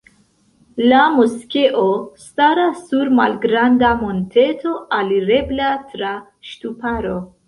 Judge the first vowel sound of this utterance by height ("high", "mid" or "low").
low